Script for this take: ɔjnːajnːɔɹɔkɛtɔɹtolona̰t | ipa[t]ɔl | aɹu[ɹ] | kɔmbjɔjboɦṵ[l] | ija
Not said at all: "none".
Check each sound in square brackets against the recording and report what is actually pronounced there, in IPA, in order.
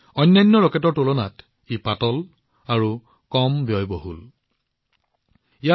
t, none, l

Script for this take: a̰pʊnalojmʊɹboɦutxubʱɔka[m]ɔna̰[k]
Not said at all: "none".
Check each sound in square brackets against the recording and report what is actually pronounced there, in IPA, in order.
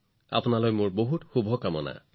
m, none

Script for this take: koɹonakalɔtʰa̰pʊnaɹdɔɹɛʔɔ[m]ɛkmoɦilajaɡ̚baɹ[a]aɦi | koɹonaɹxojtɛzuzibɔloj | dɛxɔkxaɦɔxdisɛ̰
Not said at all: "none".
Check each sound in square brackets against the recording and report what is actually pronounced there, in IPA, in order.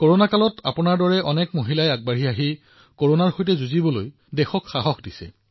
n, i

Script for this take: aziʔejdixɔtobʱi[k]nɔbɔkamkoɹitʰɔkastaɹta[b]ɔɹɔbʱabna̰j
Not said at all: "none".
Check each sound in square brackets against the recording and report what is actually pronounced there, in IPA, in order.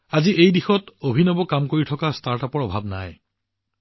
none, p

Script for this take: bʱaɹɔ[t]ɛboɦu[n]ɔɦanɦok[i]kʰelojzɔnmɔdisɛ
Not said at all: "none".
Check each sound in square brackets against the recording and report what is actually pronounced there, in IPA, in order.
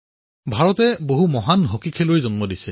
t, m, i

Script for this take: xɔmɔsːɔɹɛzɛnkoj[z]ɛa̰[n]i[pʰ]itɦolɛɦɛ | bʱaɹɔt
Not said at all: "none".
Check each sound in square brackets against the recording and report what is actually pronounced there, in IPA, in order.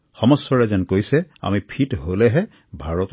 s, m, pʰ

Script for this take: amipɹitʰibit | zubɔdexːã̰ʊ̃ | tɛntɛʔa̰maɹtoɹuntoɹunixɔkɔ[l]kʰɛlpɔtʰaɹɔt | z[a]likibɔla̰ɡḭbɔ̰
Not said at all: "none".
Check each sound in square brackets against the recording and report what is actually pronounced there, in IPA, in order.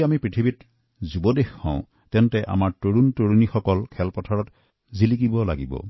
l, i

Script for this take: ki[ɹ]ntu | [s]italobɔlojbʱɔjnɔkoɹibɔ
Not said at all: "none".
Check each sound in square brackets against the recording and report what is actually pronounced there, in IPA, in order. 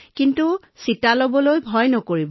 none, s

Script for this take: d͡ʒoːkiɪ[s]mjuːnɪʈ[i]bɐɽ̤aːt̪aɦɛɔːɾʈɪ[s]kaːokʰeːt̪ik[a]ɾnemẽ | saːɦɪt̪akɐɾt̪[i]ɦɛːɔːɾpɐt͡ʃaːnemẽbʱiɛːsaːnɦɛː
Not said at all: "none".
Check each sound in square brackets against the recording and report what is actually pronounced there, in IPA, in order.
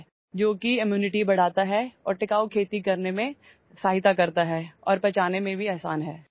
none, i, none, ɐ, a

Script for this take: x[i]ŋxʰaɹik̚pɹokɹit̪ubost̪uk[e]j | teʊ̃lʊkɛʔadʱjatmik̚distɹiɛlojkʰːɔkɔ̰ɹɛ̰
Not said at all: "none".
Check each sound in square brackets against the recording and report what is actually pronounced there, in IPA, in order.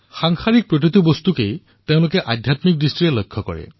a, e

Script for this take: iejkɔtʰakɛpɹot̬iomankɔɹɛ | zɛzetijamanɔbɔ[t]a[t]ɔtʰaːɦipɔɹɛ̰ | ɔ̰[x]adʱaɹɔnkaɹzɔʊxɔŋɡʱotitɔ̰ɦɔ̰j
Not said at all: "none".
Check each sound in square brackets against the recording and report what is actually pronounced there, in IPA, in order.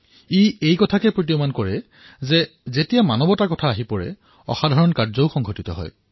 t, k, x

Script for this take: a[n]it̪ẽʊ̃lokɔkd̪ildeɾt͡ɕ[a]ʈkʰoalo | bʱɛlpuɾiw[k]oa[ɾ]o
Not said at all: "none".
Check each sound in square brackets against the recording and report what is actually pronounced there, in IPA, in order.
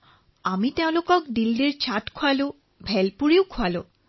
m, a, kʰ, l

